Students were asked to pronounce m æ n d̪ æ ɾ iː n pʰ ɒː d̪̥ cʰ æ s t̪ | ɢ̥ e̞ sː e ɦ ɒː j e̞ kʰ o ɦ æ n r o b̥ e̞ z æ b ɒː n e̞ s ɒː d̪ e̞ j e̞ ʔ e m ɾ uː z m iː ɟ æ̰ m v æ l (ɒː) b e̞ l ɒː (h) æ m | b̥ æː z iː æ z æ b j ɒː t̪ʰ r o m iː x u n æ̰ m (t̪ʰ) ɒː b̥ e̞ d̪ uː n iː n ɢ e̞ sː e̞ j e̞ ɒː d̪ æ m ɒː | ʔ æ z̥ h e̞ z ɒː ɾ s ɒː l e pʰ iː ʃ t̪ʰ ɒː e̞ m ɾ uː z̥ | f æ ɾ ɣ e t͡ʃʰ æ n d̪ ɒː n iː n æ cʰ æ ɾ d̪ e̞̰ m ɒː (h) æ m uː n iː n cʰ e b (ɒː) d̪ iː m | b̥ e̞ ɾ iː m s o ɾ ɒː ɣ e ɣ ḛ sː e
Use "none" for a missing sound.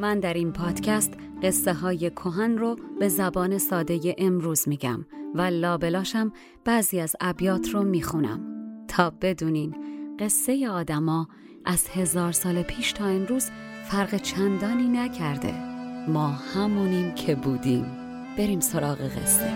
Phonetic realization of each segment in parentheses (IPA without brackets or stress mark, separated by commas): ɒː, ʃ, t̪ʰ, h, uː